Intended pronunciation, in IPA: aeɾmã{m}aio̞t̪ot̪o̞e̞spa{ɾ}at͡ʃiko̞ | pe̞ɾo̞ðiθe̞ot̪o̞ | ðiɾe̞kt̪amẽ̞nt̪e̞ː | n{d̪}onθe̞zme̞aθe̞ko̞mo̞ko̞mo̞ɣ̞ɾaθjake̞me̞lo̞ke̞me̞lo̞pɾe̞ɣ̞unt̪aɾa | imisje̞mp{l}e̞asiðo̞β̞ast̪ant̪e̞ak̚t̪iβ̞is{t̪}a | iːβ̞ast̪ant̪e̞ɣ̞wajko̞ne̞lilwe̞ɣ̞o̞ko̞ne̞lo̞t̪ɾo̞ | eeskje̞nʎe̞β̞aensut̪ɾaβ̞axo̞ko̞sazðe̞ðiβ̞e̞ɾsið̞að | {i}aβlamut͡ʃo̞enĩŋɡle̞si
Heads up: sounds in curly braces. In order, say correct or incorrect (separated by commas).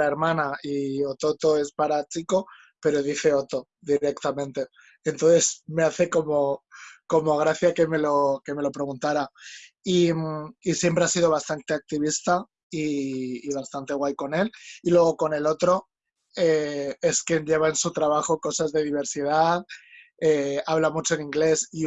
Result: incorrect, correct, incorrect, incorrect, correct, incorrect